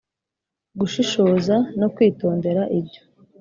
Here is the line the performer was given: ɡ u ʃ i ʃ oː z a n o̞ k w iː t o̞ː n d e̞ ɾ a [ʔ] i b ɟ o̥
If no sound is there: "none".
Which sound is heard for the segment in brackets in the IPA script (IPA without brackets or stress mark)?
ʔ